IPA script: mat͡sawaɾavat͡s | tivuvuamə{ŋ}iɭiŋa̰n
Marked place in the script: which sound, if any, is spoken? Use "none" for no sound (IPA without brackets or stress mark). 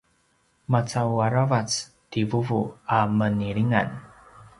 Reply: n